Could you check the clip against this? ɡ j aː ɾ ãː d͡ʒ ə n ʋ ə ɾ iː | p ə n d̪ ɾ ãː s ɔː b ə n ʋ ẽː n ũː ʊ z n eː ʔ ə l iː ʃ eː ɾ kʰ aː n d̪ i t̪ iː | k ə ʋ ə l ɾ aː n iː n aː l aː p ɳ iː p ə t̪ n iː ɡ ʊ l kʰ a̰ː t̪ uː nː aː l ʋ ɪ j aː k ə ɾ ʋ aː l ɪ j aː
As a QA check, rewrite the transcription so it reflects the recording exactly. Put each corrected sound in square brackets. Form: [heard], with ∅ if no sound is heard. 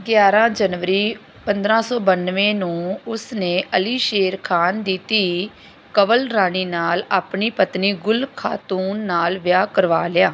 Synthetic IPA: ɡ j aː ɾ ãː d͡ʒ ə n ʋ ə ɾ iː | p ə n d̪ ɾ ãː s ɔː b ə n ʋ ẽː n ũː ʊ [s] n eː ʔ ə l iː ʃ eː ɾ kʰ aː n d̪ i t̪ iː | k ə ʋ ə l ɾ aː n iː n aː l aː p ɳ iː p ə t̪ n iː ɡ ʊ l kʰ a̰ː t̪ uː nː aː l ʋ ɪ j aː k ə ɾ ʋ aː l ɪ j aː